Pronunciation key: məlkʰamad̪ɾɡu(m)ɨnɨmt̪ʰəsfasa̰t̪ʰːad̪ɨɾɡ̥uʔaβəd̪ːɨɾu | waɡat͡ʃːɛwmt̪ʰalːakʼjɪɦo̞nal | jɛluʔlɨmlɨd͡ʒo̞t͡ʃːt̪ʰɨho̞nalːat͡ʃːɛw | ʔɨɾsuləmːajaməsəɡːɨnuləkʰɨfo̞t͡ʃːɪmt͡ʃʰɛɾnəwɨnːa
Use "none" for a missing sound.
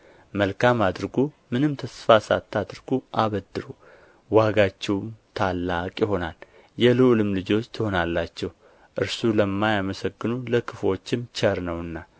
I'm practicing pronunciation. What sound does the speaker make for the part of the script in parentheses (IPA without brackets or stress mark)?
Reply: m